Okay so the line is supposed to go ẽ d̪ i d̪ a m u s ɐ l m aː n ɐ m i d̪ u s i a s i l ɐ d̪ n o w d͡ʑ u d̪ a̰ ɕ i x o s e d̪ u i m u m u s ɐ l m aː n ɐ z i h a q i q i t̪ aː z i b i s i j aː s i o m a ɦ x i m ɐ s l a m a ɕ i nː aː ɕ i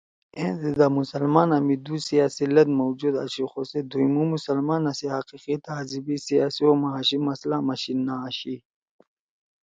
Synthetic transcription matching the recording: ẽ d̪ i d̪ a m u s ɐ l m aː n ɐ m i d̪ u s i a s i l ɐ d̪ m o w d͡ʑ u d̪ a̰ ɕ i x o s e d̪ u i m u m u s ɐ l m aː n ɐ s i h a q i q i t̪ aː z i b i s i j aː s i o m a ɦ ɕ i m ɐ s l a m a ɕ i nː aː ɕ i